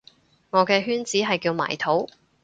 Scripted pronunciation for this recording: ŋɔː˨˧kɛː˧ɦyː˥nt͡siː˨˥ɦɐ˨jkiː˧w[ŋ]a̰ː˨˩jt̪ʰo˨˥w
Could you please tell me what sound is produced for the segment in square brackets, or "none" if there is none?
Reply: m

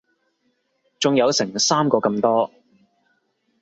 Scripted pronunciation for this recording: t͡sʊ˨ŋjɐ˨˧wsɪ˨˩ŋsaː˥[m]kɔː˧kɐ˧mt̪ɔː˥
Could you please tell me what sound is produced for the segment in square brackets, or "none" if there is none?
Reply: m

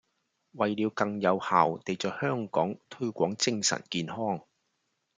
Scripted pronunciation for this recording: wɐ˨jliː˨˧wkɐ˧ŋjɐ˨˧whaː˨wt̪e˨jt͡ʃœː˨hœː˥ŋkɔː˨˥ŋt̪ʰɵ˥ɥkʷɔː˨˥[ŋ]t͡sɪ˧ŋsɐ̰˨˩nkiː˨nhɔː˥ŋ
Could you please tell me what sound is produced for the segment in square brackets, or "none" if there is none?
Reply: ŋ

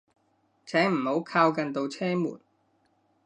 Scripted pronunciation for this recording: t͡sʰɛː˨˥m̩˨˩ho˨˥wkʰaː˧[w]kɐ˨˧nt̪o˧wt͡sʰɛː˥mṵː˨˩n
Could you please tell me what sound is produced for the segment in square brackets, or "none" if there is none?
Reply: w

